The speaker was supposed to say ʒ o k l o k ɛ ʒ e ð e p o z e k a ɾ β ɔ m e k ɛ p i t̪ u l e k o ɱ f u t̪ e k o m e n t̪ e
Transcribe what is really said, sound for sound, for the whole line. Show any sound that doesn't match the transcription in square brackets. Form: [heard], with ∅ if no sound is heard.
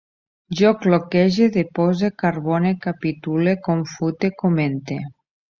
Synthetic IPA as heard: ʒ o k l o k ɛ ʒ e ð e p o z e k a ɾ β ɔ [n] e k [a] p i t̪ u l e k o ɱ f u t̪ e k o m e n t̪ e

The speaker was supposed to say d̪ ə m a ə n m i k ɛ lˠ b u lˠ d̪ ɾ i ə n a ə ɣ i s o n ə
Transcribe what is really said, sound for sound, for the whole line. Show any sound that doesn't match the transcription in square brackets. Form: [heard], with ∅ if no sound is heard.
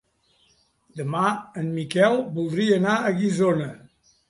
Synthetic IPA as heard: d̪ ə m a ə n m i k ɛ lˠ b u lˠ d̪ ɾ i ə n a ə ɣ i [z] o n ə

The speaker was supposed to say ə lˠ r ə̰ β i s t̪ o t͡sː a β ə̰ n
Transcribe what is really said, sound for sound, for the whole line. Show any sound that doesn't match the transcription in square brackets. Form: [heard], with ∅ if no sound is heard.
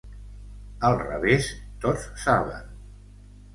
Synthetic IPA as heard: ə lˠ r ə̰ β [e] s t̪ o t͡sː a β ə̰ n

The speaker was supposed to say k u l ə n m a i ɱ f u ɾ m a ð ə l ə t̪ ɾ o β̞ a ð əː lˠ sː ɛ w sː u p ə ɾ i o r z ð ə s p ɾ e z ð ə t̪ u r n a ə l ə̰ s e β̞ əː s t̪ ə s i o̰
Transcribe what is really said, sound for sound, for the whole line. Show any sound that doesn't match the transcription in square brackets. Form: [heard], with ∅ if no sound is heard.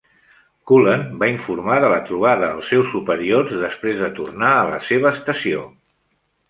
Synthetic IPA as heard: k u l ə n [b] a i ɱ f u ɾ m a ð ə l ə t̪ ɾ [u] β̞ a ð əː lˠ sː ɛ w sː u p ə ɾ i o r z ð ə s p ɾ e z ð ə t̪ u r n a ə l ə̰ s e β̞ əː s t̪ ə s i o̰

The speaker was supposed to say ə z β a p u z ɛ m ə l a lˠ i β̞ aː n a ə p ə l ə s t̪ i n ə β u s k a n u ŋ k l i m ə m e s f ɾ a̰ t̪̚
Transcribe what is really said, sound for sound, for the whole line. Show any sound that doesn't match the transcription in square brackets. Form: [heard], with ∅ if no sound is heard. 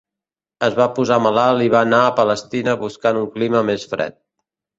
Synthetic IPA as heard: ə z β a p u z [a] m ə l a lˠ i β̞ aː n a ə p ə l ə s t̪ i n ə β u s k a n u ŋ k l i m ə m e s f ɾ [ɛ̰] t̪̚

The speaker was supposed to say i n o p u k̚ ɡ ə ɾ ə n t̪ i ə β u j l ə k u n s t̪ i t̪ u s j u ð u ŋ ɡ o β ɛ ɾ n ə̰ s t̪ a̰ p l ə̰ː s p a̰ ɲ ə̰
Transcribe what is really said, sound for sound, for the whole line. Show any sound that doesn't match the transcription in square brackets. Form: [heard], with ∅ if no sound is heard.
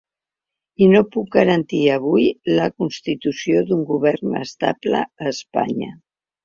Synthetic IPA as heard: i n o p u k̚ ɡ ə ɾ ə n t̪ i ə β u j l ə k u n s t̪ i t̪ u s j [o] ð u ŋ ɡ [u] β ɛ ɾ n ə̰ s t̪ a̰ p l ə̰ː s p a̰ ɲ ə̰

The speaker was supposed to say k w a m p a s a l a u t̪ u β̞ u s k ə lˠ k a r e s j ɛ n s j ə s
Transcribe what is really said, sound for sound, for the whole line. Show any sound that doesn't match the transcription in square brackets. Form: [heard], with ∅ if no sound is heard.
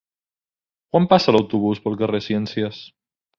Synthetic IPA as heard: k w a m p a s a l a [w] t̪ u β̞ u s [p] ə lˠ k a r e s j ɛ n s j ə s

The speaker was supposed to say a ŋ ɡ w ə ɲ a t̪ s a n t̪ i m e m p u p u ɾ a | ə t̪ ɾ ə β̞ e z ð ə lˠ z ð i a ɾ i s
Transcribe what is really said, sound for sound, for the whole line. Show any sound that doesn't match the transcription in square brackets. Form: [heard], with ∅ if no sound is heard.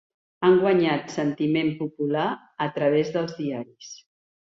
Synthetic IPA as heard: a ŋ ɡ w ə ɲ a t̪ s [ə] n t̪ i m e m p u p u [l] a | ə t̪ ɾ ə β̞ e z ð ə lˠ z ð i a ɾ i s

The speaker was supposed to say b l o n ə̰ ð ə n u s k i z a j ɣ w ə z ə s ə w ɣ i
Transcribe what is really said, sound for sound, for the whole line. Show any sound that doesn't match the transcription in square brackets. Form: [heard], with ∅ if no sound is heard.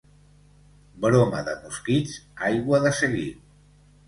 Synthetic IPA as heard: b [ɾ] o [m] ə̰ ð ə [m] u s k i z a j ɣ w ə [ð] ə s ə [∅] ɣ i

